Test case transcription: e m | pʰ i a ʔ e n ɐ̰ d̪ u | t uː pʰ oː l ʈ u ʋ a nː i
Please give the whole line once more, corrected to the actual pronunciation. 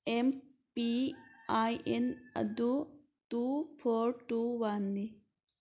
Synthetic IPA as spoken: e m | p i a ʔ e n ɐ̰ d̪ u | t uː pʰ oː ɾ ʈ u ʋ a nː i